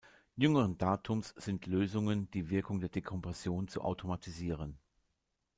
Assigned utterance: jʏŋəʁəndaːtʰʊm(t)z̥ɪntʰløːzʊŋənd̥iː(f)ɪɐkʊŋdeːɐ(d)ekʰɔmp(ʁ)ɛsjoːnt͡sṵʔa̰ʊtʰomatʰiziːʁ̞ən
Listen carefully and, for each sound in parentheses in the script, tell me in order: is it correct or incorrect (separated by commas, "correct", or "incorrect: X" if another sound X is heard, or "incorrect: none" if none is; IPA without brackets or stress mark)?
incorrect: s, incorrect: v, correct, correct